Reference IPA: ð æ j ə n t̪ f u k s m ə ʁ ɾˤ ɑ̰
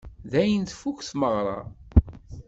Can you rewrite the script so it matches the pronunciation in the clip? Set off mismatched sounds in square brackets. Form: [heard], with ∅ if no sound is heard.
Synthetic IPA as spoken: ð æ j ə n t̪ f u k [θ] m ə ʁ ɾˤ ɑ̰